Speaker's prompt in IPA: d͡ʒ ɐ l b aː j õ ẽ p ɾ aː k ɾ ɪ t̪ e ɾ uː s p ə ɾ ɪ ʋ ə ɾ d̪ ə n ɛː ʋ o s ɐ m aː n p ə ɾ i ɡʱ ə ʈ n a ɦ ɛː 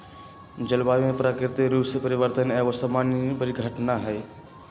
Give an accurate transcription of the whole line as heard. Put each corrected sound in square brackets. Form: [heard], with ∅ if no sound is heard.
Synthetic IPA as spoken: d͡ʒ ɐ l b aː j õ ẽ p ɾ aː k ɾ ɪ t̪ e ɾ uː s p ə ɾ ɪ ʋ ə ɾ [t̪] ə n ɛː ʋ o s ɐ m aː n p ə ɾ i ɡʱ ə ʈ n a ɦ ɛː